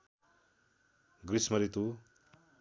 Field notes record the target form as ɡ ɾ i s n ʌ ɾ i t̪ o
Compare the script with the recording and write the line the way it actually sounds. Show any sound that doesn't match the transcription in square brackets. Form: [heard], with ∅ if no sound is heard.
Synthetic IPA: ɡ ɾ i s [m] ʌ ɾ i t̪ [u]